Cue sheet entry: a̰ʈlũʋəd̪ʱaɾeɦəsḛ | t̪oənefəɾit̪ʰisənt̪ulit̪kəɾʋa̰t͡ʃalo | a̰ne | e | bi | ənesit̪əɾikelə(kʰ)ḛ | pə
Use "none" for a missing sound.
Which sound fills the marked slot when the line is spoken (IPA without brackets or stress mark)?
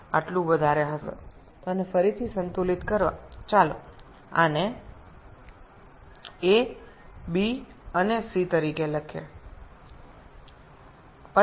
kʰ